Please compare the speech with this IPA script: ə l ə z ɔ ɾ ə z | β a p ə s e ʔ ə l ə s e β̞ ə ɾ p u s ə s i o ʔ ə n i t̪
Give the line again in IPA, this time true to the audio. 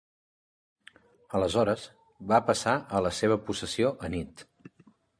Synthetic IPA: ə l ə z ɔ ɾ ə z | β a p ə s a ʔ ə l ə s e β̞ ə p u s ə s i o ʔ ə n i t̪